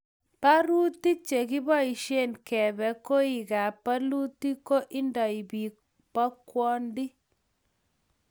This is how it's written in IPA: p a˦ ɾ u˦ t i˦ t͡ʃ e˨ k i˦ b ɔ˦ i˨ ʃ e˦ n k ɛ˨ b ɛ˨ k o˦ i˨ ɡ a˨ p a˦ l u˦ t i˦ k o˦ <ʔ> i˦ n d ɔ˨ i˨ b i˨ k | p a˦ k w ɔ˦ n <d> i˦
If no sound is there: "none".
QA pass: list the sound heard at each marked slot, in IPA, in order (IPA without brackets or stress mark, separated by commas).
ʔ, d